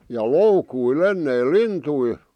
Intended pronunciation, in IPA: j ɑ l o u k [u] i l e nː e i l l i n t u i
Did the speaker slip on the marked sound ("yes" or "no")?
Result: no